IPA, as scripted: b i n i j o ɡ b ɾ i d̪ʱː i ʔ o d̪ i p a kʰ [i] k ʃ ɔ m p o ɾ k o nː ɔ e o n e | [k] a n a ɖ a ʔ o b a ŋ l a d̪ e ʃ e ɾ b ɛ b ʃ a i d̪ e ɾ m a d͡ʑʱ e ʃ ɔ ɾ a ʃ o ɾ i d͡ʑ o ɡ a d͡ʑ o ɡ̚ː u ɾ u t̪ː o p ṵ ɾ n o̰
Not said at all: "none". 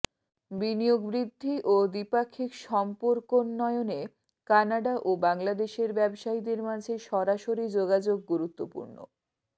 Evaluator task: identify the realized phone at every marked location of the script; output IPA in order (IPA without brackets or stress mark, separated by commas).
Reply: i, k